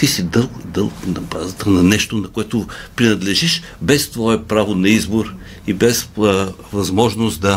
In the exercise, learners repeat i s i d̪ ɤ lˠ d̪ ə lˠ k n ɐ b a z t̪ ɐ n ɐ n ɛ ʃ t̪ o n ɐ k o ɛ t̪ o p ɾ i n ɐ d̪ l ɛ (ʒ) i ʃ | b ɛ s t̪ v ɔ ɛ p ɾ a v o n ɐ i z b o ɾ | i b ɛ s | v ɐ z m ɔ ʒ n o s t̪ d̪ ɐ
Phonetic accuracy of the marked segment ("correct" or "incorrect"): correct